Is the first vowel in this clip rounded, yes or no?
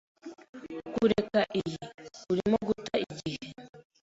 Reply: yes